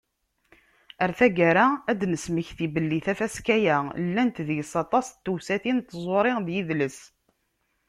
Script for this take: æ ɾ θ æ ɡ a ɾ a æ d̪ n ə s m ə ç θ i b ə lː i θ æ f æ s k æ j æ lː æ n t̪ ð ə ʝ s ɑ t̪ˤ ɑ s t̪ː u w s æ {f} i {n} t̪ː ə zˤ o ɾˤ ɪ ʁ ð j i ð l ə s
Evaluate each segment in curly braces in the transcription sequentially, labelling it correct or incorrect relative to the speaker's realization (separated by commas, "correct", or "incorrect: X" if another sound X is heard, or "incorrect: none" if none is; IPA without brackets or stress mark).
incorrect: θ, correct